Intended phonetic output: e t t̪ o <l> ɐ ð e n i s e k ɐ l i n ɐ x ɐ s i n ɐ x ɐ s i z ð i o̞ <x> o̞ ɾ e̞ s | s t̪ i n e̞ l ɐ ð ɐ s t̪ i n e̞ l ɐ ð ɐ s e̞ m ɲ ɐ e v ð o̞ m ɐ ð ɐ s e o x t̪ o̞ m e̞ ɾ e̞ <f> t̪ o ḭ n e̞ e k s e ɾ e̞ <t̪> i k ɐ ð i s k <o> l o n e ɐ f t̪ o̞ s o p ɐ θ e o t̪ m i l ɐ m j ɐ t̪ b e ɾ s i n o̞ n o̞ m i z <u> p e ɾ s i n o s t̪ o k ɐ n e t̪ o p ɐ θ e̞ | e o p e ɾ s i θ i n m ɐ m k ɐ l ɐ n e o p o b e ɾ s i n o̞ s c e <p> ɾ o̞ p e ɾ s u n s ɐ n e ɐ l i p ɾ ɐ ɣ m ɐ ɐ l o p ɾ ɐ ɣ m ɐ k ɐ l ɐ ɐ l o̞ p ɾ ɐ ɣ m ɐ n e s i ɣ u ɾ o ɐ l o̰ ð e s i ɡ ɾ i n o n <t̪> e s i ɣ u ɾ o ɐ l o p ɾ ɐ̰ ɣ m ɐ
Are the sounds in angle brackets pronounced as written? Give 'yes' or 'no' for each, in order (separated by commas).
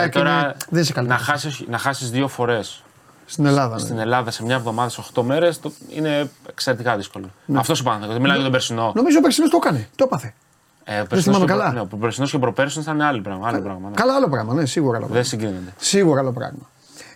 no, no, no, yes, yes, no, yes, no